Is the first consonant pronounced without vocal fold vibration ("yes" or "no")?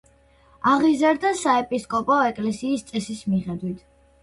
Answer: no